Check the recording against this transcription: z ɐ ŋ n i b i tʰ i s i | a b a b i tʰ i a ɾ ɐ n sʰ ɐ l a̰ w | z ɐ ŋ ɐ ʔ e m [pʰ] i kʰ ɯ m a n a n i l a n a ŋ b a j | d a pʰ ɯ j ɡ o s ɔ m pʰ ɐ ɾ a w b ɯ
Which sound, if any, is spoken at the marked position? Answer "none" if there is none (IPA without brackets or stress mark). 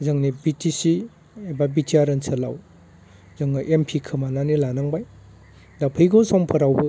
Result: pʰ